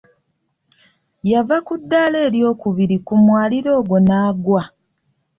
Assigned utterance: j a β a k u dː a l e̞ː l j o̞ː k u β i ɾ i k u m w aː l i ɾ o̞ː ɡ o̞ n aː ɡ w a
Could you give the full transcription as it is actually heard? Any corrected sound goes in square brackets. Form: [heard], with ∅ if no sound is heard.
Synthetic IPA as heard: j a [v] a k u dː a l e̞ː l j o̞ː k u β i ɾ i k u m w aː l i ɾ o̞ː ɡ o̞ n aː ɡ w a

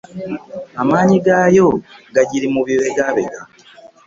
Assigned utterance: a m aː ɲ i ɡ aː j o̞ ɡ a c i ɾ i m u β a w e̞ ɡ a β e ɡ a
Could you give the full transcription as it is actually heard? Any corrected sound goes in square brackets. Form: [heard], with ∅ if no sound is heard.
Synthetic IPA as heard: a m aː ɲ i ɡ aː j o̞ ɡ a [ɟ] i ɾ i m u β [i] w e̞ ɡ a β e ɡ a

